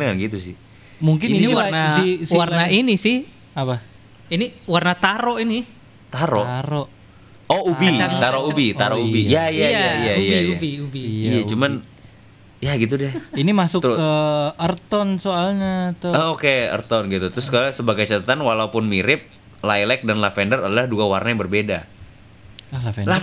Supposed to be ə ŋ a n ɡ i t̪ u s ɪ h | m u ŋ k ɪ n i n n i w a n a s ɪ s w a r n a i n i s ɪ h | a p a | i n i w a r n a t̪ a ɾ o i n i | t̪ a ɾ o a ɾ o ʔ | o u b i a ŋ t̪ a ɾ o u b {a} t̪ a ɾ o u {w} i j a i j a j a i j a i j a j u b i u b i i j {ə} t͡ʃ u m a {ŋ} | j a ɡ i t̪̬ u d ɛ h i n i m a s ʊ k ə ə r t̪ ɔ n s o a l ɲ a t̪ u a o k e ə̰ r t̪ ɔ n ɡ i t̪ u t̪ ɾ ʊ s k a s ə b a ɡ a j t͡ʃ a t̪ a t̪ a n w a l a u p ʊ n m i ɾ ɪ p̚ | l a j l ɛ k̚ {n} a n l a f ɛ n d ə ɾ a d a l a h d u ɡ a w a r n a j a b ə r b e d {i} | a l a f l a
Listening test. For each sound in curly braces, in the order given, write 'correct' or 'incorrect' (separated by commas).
incorrect, incorrect, incorrect, incorrect, incorrect, incorrect